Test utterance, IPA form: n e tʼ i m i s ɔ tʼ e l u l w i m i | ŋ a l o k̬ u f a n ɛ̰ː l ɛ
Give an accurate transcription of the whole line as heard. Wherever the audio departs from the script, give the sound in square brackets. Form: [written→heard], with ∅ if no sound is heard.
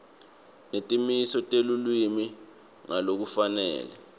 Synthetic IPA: n e tʼ i m i s ɔ tʼ e l u l w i m i | ŋ a l o k̬ u f a n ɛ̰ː l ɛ